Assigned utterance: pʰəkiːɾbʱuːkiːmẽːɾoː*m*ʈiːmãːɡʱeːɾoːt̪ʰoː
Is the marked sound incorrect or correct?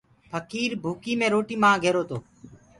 incorrect